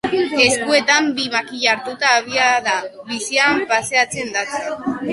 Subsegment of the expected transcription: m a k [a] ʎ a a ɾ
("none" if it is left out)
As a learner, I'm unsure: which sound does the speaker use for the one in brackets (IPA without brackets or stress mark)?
i